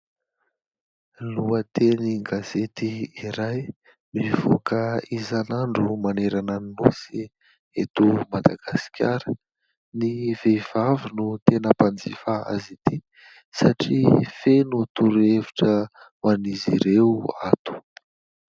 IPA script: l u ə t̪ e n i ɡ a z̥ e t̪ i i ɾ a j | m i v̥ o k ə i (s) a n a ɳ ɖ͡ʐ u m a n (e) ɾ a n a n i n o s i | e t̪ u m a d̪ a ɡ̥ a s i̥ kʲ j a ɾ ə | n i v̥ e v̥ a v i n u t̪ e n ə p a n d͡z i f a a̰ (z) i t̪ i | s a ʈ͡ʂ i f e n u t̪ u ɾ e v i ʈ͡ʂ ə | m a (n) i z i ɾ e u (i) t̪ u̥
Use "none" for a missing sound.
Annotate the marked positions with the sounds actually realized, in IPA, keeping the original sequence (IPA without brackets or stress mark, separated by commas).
z, e, z, n, a